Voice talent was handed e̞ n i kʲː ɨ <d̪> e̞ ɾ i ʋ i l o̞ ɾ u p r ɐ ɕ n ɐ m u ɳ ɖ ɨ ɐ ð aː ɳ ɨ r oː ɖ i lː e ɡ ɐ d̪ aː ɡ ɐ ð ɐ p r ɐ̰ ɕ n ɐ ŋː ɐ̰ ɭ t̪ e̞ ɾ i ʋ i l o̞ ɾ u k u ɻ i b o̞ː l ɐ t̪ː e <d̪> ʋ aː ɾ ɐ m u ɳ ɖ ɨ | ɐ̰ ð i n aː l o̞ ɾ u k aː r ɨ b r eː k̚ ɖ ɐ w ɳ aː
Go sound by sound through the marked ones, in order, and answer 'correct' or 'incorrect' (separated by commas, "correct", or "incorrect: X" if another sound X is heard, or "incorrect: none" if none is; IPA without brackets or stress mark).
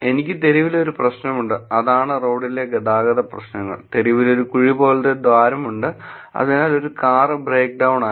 incorrect: t̪, correct